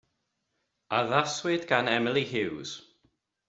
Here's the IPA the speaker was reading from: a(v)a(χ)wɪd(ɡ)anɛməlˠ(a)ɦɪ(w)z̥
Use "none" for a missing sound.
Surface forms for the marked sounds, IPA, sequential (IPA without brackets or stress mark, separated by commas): ð, s, ɡ, i, w